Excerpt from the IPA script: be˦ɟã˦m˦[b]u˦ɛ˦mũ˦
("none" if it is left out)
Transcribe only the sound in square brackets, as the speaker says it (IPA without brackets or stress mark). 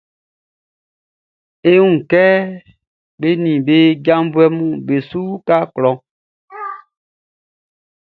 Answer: b